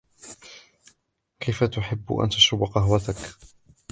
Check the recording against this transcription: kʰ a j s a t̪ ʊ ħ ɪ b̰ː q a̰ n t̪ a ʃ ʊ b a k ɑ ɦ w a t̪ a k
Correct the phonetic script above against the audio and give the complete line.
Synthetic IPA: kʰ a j f a t̪ ʊ ħ ɪ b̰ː ʔ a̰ n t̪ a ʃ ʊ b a q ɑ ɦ w a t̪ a k